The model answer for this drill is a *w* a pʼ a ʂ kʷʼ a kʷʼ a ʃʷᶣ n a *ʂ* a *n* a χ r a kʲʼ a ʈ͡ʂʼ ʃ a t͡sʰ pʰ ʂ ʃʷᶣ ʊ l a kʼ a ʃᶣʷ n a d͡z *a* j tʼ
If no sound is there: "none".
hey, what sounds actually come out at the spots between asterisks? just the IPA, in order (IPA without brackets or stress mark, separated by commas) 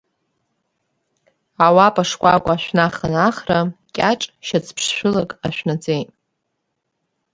w, χ, n, e